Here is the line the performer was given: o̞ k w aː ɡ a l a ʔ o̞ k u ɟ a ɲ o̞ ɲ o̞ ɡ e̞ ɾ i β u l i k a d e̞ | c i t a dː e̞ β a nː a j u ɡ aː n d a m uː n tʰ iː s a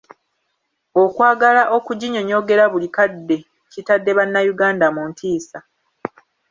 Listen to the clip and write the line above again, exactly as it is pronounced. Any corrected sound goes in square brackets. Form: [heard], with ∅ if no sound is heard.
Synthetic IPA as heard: o̞ k w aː ɡ a l a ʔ o̞ k u ɟ [i] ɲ o̞ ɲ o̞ ɡ e̞ ɾ [a] β u l i k a [dː] e̞ | c i t a dː e̞ β a nː a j u ɡ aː n d a m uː n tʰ iː s a